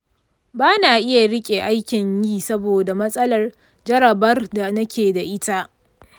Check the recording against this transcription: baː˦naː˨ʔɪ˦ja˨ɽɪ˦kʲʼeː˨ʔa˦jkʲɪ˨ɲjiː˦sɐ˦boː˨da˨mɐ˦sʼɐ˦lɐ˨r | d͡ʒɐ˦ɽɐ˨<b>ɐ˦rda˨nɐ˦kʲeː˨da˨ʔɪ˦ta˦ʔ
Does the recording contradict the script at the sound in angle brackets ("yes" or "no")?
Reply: no